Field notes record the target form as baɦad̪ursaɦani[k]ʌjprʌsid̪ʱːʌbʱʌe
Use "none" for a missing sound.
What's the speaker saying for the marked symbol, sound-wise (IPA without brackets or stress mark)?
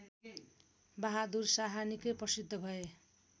k